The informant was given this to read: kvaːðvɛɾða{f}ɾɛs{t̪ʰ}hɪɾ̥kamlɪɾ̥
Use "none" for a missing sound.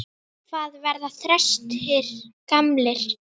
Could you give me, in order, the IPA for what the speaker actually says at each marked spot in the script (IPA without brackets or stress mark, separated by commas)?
θ, t̪